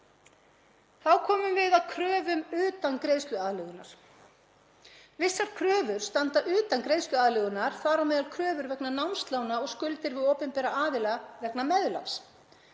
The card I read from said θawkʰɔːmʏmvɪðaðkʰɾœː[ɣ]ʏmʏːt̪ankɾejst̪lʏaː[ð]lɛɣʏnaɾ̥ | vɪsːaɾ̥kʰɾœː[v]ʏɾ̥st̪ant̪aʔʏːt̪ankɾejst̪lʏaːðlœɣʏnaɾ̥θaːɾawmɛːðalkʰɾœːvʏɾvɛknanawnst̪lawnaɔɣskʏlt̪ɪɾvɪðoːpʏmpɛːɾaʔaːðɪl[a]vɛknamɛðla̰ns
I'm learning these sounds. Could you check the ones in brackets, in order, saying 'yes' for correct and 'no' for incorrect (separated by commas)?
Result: no, yes, yes, yes